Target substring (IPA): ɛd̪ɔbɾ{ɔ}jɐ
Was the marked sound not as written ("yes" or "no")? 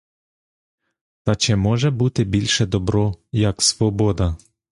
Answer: no